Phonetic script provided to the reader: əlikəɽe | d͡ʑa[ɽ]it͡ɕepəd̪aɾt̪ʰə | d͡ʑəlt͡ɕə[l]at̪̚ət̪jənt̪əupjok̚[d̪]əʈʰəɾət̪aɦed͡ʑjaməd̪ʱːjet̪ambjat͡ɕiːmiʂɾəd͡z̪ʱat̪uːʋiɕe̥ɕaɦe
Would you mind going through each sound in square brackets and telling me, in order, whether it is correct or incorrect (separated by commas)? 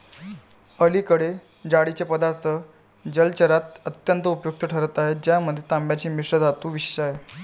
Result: correct, incorrect, incorrect